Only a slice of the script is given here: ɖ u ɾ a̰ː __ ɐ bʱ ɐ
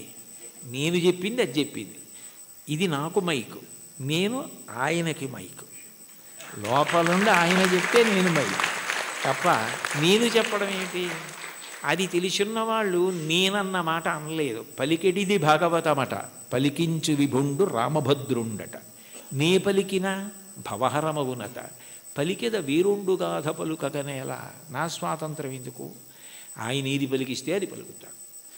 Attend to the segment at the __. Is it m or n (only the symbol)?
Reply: m